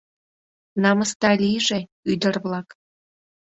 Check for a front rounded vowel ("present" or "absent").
present